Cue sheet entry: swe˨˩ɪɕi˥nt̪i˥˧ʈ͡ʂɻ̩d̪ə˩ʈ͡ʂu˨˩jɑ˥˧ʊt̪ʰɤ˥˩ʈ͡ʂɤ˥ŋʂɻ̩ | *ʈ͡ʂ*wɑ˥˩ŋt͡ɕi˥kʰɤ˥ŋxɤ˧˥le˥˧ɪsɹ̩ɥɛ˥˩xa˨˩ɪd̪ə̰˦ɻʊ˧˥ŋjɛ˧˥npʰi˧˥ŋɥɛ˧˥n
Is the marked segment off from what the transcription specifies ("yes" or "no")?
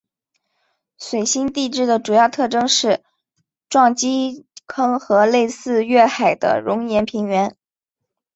no